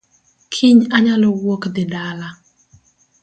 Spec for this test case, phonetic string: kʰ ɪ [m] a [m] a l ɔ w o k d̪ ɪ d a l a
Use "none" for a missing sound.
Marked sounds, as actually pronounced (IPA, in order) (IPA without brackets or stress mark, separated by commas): ɲ, ɲ